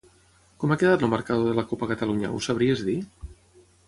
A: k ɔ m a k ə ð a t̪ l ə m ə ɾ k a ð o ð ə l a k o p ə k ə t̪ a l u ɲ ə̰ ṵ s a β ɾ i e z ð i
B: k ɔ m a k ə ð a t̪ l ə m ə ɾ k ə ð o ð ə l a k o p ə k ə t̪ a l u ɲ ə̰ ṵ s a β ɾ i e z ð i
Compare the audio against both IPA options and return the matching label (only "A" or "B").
A